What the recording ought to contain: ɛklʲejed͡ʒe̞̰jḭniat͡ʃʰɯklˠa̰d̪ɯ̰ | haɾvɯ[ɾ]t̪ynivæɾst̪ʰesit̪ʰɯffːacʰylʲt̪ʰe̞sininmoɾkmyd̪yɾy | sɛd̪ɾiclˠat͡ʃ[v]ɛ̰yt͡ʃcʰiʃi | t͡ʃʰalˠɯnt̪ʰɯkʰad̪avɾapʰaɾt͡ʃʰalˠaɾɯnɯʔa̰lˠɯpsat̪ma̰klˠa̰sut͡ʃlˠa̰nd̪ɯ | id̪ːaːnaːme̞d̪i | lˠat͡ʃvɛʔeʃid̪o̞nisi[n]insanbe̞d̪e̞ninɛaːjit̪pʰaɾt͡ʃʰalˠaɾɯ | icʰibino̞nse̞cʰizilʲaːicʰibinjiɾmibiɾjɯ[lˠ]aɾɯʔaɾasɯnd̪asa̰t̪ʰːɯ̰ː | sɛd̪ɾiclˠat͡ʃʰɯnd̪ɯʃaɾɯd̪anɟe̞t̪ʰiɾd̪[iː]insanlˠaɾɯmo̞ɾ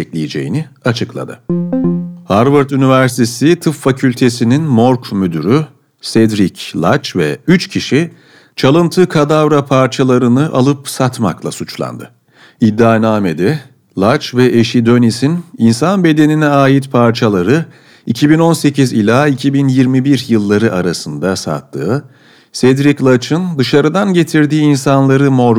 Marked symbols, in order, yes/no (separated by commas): yes, yes, yes, no, yes